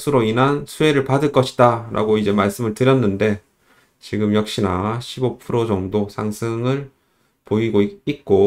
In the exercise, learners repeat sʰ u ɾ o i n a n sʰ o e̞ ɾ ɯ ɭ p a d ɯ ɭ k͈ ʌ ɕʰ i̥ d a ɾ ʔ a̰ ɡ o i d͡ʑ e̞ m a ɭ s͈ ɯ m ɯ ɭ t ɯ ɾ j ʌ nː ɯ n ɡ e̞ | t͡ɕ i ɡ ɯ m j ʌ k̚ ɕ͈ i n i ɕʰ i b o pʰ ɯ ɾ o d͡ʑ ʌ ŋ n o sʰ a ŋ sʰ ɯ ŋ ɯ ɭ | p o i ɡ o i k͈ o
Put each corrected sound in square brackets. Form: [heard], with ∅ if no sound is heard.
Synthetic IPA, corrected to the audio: sʰ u ɾ o i n a n sʰ [u] e̞ ɾ ɯ ɭ p a d ɯ ɭ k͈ ʌ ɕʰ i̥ d a ɾ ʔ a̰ ɡ o i d͡ʑ e̞ m a ɭ s͈ ɯ m ɯ ɭ t ɯ ɾ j ʌ nː ɯ n [d] e̞ | t͡ɕ i ɡ ɯ m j ʌ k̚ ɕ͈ i n [a] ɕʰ i b o pʰ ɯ ɾ o d͡ʑ ʌ ŋ [d] o sʰ a ŋ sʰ ɯ ŋ ɯ ɭ | p o i ɡ o i k͈ o